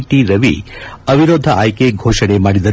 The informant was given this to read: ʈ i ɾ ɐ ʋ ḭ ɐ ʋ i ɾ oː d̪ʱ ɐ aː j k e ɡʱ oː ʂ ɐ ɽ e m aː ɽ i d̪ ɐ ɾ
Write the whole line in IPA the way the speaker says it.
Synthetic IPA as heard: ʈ i ɾ ɐ ʋ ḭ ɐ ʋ i ɾ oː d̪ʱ ɐ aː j k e ɡʱ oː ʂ ɐ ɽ e m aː ɽ i d̪ ɐ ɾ